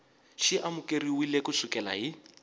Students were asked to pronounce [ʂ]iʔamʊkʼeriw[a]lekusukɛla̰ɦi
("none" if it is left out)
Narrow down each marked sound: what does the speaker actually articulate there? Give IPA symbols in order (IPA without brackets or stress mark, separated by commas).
ʃ, i